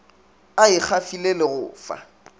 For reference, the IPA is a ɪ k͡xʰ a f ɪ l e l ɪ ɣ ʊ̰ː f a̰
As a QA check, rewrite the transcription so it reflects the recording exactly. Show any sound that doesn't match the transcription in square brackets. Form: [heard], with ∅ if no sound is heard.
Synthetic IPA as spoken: a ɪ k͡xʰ a f [i] l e l ɪ ɣ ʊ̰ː f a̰